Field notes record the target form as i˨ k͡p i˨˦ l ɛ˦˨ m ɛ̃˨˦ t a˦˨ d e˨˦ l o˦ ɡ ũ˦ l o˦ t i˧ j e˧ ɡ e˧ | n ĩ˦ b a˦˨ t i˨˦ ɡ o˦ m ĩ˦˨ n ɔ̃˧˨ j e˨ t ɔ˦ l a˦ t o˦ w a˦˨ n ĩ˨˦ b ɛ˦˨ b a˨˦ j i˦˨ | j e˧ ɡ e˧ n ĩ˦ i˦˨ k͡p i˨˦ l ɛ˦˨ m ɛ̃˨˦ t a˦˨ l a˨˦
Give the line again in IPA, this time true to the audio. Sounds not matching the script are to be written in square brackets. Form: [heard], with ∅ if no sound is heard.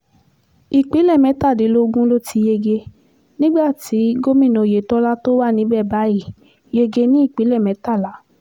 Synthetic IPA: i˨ k͡p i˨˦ l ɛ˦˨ m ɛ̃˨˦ t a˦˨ d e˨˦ l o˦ ɡ ũ˦ l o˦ t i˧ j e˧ ɡ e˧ | n ĩ˦ [ɡ͡b] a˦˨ t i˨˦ ɡ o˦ m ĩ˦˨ n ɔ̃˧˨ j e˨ t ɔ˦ l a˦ t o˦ w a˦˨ n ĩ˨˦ b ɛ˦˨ b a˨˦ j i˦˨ | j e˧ ɡ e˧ n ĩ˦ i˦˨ k͡p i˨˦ l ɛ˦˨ m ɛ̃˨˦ t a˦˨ l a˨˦